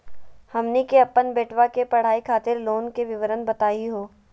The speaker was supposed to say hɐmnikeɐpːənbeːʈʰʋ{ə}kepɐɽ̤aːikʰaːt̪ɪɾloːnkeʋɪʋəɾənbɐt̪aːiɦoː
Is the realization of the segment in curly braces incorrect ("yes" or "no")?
yes